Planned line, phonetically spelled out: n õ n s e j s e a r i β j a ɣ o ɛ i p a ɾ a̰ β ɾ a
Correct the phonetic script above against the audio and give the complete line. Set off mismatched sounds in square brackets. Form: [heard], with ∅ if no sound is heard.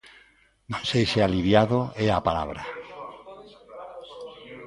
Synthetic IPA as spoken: n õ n s e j s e a [l] i β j a [ð] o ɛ [a] p a [l] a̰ β ɾ a